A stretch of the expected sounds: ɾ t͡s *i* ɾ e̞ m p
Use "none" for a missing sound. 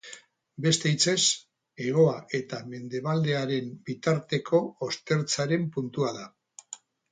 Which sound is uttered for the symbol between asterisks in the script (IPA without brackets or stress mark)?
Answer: a